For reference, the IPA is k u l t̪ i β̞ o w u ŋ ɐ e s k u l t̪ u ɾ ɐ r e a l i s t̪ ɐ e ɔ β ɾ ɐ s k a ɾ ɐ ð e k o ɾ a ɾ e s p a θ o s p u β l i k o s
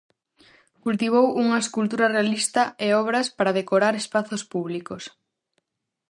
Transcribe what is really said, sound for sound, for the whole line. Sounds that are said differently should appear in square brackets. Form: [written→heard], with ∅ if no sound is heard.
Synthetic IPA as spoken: k u l t̪ i β̞ o w u ŋ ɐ e s k u l t̪ u ɾ ɐ r e a l i s t̪ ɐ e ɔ β ɾ ɐ s [k→p] a ɾ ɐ ð e k o ɾ a ɾ e s p a θ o s p u β l i k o s